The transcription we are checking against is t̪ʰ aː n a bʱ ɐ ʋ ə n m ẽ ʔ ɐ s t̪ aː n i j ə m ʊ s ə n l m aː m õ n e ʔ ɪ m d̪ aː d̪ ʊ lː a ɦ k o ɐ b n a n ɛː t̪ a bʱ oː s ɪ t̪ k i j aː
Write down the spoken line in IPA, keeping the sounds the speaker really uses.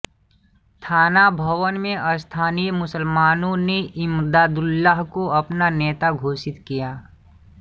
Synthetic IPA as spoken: t̪ʰ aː n a bʱ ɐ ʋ ə n m ẽ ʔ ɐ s t̪ʰ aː n i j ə m ʊ s ə l m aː n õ n e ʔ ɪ m d̪ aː d̪ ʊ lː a ɦ k o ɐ p n a n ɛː t̪ a ɡʱ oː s ɪ t̪ k i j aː